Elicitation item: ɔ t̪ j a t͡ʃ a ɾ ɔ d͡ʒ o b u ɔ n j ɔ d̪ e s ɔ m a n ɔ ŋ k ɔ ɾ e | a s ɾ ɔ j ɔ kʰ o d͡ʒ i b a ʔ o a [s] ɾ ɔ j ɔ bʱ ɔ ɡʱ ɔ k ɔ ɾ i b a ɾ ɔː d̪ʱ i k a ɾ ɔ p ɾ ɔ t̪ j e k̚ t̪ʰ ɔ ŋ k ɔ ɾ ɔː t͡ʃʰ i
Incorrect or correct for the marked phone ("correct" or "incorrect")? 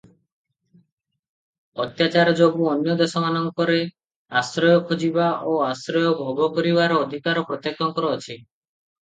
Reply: correct